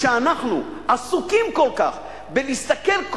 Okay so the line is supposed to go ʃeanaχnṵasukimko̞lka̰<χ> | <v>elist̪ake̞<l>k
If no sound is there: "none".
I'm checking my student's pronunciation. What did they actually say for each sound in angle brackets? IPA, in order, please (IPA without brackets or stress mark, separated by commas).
χ, b, l